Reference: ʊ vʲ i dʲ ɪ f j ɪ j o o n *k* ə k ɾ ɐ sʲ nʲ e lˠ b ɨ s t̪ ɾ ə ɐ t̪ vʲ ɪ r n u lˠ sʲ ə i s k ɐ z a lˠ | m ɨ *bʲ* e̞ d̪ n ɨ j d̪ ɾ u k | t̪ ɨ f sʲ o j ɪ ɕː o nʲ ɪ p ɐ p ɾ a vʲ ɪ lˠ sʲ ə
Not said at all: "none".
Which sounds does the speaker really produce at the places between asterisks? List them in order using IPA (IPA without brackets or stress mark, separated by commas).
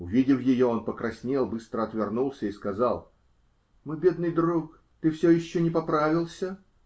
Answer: p, bʲ